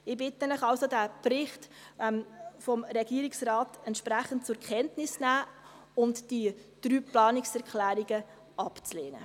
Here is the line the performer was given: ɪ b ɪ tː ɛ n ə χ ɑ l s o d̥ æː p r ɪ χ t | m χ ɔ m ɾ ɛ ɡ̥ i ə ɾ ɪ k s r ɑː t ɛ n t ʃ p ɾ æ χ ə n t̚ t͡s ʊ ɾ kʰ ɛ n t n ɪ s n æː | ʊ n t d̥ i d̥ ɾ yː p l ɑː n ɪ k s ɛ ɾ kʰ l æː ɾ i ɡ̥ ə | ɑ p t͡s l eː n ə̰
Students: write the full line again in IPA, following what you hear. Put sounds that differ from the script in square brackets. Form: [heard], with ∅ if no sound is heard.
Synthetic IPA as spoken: ɪ b ɪ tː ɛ n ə χ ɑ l s o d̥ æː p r ɪ χ t | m [f] ɔ m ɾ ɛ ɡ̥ i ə ɾ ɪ k s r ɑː t ɛ n t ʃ p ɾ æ χ ə n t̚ t͡s ʊ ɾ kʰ ɛ n t n ɪ s n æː | ʊ n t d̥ i d̥ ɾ yː p l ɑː n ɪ k s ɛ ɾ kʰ l æː ɾ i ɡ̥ ə | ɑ p t͡s l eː n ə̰